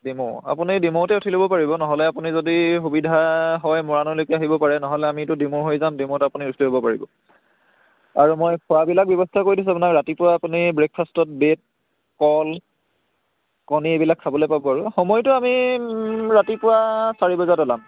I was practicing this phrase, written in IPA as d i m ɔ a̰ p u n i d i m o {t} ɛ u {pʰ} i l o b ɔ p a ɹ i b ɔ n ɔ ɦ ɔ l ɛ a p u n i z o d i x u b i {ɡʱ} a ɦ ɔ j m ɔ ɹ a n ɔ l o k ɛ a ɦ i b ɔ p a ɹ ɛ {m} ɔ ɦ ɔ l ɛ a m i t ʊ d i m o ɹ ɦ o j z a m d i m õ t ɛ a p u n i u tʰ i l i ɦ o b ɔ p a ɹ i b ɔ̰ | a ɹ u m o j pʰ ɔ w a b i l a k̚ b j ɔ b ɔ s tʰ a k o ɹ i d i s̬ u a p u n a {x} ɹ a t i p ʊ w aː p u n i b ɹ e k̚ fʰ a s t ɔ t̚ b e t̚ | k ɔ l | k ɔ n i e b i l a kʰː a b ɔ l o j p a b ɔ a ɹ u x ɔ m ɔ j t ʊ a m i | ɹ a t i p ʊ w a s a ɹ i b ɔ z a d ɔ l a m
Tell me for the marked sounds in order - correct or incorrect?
correct, incorrect, incorrect, incorrect, incorrect

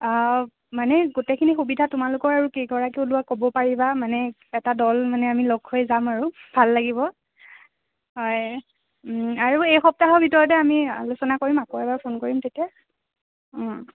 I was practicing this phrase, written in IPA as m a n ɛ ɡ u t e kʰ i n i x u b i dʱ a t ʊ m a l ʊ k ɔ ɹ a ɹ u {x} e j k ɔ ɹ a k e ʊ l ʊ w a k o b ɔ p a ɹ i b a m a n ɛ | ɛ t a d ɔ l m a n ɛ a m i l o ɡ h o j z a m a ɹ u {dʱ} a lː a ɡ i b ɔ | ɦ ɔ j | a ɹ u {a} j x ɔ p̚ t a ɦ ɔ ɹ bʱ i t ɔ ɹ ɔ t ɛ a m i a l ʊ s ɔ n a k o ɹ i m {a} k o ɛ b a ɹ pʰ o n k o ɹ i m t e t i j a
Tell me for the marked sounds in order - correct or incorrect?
incorrect, incorrect, incorrect, correct

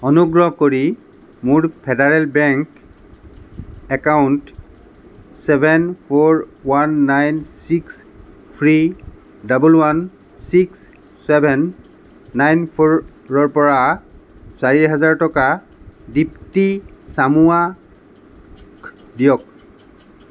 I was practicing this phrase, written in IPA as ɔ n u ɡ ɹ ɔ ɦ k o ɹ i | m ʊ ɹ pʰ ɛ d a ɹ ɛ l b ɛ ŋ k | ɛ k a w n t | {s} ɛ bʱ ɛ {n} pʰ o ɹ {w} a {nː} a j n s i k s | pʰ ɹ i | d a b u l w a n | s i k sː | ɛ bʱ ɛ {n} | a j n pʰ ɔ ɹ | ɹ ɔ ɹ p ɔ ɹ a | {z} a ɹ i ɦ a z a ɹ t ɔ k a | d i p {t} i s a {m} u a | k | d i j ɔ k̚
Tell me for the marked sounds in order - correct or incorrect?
correct, correct, correct, correct, incorrect, incorrect, correct, correct

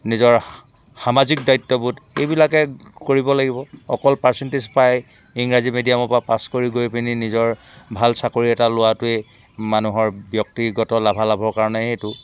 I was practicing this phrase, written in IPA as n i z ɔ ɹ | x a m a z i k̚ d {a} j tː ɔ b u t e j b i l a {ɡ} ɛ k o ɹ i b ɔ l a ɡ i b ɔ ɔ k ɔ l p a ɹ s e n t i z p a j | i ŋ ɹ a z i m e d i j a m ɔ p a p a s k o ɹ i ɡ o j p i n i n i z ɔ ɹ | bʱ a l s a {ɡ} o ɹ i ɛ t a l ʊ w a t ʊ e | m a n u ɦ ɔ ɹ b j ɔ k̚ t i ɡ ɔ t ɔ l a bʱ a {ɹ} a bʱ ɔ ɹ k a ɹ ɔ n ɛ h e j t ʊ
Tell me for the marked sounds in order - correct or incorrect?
correct, incorrect, incorrect, incorrect

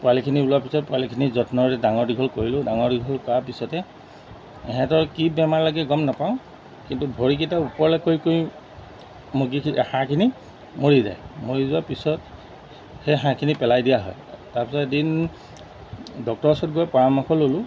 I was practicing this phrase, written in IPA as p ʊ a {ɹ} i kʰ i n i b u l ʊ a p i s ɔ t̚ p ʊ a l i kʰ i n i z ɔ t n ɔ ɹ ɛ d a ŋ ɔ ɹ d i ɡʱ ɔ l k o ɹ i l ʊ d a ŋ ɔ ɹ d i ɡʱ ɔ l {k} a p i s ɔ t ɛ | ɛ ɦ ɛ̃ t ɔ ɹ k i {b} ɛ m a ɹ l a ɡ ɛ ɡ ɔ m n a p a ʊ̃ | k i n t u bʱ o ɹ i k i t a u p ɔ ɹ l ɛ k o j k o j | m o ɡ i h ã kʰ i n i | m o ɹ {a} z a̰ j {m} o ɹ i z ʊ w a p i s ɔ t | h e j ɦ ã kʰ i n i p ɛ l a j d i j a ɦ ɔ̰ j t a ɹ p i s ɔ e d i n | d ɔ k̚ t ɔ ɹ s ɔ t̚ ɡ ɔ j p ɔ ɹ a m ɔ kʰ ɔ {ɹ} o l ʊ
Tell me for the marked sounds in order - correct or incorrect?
incorrect, correct, correct, incorrect, correct, incorrect

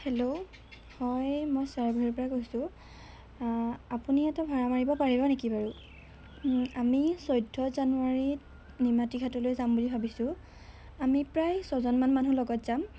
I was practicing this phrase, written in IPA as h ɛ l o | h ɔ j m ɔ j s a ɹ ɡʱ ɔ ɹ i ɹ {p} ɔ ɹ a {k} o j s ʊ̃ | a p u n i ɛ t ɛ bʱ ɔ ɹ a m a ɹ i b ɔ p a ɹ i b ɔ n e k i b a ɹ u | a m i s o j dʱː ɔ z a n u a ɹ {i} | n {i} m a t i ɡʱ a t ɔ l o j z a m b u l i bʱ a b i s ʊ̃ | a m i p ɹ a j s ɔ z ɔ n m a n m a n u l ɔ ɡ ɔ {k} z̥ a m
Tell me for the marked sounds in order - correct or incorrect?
correct, correct, correct, correct, incorrect

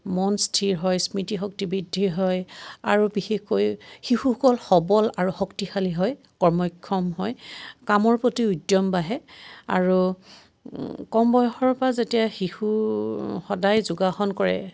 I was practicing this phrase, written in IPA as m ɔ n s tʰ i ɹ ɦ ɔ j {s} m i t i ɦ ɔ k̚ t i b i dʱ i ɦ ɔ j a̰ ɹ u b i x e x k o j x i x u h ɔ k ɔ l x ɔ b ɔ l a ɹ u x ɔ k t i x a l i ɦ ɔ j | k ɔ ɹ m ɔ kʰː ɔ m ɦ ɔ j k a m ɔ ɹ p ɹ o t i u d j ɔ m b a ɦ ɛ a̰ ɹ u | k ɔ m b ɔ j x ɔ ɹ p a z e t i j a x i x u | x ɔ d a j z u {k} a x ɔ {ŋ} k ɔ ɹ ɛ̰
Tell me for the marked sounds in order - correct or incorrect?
correct, incorrect, incorrect

